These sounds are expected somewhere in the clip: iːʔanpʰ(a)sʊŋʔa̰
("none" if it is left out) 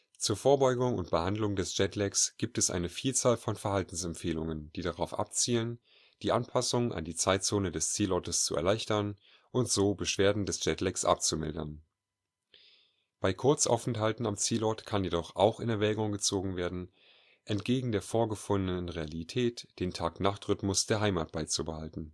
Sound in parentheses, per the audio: a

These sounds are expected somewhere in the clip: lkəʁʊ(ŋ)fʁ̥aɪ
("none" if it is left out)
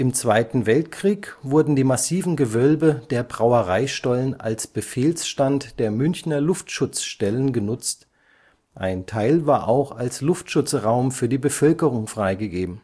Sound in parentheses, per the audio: ŋ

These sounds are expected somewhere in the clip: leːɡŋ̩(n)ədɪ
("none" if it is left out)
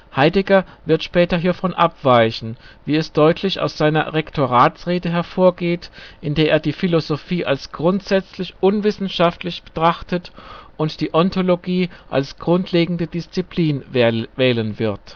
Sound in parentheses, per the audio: d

